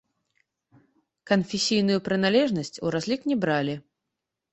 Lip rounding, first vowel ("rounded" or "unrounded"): unrounded